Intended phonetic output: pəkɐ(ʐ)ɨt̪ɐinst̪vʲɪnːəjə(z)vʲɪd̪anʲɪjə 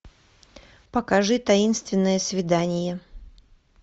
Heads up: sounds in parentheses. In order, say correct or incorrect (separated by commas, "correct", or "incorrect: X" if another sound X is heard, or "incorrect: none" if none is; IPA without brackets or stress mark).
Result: correct, incorrect: s